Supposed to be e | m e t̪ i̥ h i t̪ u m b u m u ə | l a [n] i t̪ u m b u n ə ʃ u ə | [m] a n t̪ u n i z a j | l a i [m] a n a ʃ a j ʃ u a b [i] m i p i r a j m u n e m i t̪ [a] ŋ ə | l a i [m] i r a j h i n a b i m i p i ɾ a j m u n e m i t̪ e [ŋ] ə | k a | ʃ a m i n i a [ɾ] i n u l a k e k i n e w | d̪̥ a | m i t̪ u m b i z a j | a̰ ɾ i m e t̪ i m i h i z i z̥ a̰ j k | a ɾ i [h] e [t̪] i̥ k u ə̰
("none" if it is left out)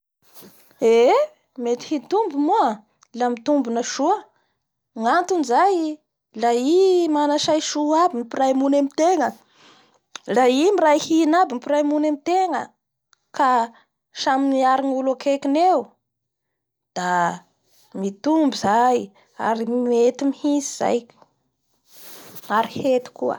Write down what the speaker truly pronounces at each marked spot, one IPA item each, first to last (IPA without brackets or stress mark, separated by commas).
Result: m, ŋ, m, i, e, m, ŋ, ɾ, h, t̪